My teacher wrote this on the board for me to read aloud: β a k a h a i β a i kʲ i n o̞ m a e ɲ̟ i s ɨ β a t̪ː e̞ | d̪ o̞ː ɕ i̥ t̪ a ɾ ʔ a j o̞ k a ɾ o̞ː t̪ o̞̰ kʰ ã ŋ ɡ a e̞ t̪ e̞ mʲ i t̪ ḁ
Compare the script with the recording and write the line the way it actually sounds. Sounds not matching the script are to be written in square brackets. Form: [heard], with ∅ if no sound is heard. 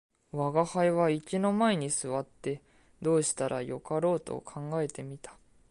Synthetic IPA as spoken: β a [ɡ] a h a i β a i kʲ i n o̞ m a e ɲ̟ i s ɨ β a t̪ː e̞ | d̪ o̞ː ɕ i̥ t̪ a ɾ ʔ a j o̞ k a ɾ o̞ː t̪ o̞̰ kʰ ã ŋ ɡ a e̞ t̪ e̞ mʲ i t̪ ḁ

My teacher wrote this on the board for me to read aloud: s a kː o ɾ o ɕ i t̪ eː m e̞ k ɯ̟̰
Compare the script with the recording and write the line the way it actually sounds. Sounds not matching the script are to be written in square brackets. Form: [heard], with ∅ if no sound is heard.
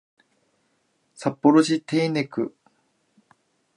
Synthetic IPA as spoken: s a [pː] o ɾ o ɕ i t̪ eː [n] e̞ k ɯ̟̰

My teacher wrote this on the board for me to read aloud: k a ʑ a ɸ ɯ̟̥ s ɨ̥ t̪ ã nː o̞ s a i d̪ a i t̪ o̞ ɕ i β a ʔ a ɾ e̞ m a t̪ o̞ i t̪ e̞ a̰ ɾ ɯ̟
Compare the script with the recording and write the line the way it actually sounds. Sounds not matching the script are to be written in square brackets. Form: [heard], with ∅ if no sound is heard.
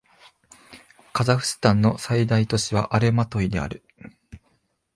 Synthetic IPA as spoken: k a [z] a ɸ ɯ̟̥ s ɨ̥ t̪ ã nː o̞ s a i d̪ a i t̪ o̞ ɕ i β a ʔ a ɾ e̞ m a t̪ o̞ i [d̪] e̞ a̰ ɾ ɯ̟

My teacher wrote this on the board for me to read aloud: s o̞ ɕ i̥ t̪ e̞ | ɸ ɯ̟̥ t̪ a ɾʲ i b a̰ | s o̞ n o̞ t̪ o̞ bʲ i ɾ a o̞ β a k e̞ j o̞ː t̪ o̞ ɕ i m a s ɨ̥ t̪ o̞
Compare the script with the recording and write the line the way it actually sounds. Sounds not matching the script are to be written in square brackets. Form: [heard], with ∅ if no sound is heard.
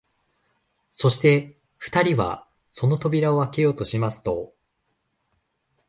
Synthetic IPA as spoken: s o̞ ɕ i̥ t̪ e̞ | ɸ ɯ̟̥ t̪ a ɾʲ i [β] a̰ | s o̞ n o̞ t̪ o̞ bʲ i ɾ a o̞ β a k e̞ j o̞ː t̪ o̞ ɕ i m a s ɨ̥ t̪ o̞

